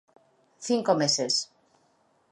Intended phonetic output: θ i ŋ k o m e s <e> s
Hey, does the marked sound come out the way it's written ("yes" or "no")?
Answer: yes